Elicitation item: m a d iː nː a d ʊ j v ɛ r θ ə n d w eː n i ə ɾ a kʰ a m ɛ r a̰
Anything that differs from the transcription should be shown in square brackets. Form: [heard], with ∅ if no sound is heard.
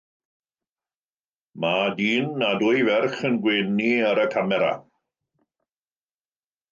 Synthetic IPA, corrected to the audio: m a d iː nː a d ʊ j v ɛ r [χ] ə n [ɡ] w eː n i ə ɾ [ə] kʰ a m ɛ [ɾ] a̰